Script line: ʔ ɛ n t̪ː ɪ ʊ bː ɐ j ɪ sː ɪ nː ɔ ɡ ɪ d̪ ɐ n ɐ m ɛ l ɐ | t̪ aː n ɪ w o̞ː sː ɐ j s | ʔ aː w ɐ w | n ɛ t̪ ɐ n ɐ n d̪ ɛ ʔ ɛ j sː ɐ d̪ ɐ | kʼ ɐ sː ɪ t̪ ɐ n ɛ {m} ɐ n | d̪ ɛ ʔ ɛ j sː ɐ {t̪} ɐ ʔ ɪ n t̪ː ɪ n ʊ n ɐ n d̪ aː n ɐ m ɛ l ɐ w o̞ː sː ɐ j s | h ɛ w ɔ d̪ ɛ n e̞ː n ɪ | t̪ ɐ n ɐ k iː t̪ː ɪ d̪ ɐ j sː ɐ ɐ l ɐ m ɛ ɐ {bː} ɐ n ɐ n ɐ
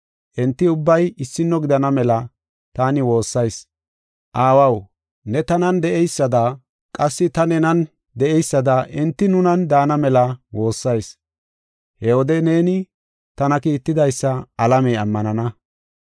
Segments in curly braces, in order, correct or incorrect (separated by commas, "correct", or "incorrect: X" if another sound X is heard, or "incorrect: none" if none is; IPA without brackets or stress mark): incorrect: n, incorrect: d̪, incorrect: mː